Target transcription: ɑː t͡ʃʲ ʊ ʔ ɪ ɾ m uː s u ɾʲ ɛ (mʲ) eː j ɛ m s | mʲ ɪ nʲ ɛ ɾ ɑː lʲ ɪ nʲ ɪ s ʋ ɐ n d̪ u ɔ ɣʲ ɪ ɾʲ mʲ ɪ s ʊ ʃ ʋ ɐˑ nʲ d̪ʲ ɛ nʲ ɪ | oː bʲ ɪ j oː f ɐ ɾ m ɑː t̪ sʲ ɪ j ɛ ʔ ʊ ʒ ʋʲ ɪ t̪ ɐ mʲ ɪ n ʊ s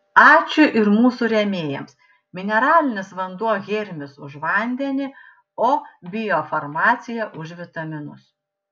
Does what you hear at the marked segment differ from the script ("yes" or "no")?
no